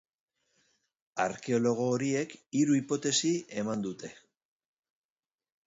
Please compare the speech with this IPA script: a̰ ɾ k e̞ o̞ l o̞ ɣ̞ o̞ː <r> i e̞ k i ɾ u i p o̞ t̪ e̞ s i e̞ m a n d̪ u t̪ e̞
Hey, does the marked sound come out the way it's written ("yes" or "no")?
no